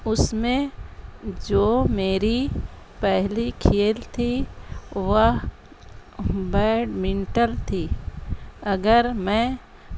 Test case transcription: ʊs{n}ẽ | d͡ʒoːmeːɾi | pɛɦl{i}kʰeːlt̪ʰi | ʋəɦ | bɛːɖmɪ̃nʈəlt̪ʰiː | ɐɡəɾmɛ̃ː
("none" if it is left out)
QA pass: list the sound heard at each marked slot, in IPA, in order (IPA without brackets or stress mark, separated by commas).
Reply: m, i